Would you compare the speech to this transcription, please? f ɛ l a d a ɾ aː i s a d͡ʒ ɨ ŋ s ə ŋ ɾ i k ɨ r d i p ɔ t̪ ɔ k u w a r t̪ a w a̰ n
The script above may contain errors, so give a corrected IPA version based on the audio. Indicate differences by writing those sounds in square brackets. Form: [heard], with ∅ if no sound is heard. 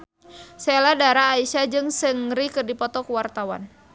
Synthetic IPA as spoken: [s] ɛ l a d a ɾ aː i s a d͡ʒ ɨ ŋ s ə ŋ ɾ i k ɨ r d i p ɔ t̪ ɔ k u w a r t̪ a w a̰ n